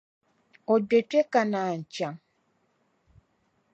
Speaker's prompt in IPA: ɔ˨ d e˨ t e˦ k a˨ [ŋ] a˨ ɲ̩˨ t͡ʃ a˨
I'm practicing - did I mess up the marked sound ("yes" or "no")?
yes